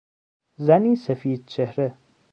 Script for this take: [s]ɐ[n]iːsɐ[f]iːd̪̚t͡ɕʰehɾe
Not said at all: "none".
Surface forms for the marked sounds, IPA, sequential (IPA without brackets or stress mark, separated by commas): z, n, f